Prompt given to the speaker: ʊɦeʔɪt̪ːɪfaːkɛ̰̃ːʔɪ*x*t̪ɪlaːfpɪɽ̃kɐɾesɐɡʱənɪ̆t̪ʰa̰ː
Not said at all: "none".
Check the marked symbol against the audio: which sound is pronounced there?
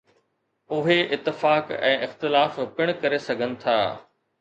x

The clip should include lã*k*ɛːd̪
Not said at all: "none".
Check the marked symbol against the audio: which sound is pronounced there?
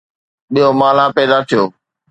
p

